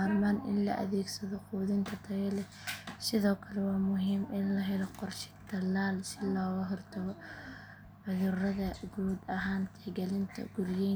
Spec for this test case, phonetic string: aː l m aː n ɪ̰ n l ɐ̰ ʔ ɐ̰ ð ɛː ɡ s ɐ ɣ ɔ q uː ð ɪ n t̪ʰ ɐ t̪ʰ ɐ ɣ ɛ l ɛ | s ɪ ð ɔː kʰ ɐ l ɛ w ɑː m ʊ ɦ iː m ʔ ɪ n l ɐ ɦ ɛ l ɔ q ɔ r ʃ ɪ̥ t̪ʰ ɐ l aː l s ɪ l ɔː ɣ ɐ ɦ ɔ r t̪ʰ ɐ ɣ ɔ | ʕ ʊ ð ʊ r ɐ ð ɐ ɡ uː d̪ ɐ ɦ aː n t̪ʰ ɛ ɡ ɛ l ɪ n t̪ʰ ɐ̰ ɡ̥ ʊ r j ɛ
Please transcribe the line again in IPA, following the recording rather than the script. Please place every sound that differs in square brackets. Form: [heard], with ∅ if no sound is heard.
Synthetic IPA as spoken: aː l m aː n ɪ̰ n l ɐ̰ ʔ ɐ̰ ð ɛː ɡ s ɐ [ð] ɔ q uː ð ɪ n t̪ʰ ɐ t̪ʰ ɐ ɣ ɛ l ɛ | s ɪ ð ɔː kʰ ɐ l ɛ w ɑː m ʊ ɦ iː m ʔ ɪ n l ɐ ɦ ɛ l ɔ q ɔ r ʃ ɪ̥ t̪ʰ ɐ l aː l s ɪ l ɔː ɣ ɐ ɦ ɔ r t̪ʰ ɐ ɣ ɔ | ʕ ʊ ð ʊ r ɐ ð ɐ ɡ uː d̪ ɐ ɦ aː n t̪ʰ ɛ ɡ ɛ l ɪ n t̪ʰ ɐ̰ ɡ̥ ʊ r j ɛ